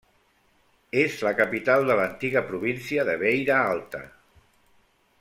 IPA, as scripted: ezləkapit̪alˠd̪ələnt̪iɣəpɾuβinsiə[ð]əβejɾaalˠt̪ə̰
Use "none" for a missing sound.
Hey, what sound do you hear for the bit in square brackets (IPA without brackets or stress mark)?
ð